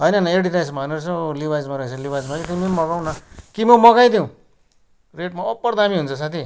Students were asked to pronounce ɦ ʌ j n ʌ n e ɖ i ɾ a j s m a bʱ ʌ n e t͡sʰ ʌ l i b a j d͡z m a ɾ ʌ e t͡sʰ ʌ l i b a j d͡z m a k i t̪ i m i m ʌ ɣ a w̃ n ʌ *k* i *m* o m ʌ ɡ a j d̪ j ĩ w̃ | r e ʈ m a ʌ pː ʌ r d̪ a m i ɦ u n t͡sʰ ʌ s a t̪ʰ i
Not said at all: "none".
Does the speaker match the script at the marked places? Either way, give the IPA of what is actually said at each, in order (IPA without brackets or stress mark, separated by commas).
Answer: k, m